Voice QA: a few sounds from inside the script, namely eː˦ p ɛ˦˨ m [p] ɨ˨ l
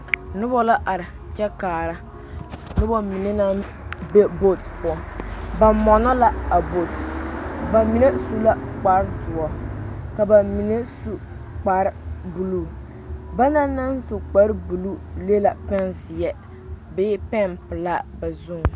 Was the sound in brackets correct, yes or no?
yes